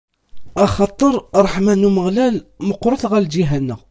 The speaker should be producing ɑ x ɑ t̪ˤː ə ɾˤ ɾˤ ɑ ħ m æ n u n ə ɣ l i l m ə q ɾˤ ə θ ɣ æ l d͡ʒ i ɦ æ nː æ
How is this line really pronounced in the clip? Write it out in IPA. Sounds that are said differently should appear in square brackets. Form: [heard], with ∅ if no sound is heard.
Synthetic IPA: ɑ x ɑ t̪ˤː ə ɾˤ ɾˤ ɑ ħ m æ n u [m] ə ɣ l [æ] l m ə q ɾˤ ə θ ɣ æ l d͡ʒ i ɦ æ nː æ